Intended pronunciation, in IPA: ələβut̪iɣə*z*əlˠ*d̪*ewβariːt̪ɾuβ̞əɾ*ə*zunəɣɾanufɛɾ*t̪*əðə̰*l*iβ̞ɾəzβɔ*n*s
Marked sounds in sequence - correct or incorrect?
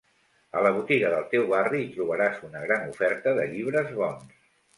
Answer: incorrect: ð, incorrect: t̪, incorrect: a, correct, incorrect: ʎ, correct

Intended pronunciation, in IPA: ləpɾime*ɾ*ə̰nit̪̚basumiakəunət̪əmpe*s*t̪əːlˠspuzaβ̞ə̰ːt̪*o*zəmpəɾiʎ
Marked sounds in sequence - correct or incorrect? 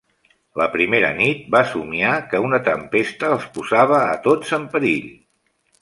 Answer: correct, correct, correct

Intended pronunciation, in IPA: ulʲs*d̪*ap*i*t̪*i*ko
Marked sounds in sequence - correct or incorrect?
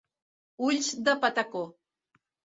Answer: correct, incorrect: a, incorrect: a

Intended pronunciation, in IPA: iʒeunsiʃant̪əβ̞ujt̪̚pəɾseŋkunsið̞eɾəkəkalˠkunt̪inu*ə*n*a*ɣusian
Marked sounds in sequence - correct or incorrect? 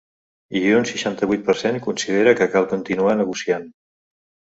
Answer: incorrect: a, incorrect: ə

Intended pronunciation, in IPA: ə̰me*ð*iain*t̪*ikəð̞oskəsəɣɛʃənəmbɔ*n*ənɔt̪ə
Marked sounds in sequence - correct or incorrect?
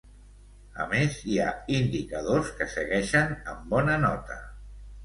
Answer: incorrect: z, incorrect: d̪, correct

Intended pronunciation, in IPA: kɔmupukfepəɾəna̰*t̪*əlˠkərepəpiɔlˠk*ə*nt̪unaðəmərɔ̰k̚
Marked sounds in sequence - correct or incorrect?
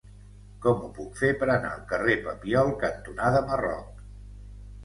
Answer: incorrect: none, correct

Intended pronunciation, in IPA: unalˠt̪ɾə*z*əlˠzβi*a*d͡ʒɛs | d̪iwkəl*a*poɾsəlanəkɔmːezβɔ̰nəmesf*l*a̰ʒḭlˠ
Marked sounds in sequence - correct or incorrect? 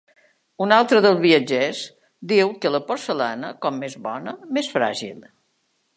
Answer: incorrect: ð, incorrect: ə, incorrect: ə, incorrect: ɾ

